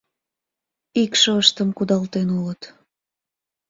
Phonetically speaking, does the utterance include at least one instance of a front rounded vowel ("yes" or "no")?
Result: no